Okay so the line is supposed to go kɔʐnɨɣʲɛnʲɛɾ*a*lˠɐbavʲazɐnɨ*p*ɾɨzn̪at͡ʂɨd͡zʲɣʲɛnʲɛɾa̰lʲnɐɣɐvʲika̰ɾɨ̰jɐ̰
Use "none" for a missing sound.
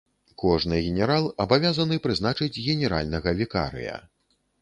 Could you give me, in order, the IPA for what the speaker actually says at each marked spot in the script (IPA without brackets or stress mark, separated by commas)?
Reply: a, p